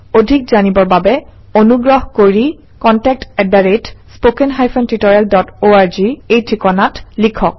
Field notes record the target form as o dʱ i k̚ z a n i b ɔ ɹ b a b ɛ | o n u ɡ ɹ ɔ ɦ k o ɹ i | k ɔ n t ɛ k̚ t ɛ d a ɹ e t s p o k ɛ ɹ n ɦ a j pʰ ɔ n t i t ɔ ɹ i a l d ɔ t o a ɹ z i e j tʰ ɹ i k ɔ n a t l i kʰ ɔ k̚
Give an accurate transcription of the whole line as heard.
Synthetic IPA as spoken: o dʱ i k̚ z a n i b ɔ ɹ b a b ɛ | o n u ɡ ɹ ɔ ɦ k o ɹ i | k ɔ n t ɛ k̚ t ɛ d a ɹ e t s p o k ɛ n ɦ a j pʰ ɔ n t i t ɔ ɹ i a l d ɔ t o a ɹ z i e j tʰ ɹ i k ɔ n a t l i kʰ ɔ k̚